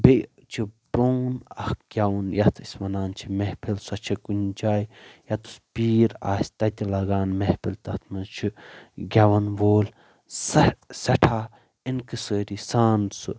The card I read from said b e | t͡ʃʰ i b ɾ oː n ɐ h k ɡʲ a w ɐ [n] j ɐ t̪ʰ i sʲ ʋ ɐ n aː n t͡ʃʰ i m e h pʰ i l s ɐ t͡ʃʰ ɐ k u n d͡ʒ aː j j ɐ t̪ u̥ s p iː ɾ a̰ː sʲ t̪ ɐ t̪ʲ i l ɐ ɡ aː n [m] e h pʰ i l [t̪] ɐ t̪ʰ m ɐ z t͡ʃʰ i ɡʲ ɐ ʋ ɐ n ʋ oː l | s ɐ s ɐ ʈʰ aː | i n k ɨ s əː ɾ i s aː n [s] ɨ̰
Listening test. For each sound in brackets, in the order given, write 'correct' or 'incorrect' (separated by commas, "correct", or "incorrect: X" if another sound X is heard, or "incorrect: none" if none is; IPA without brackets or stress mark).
correct, correct, correct, correct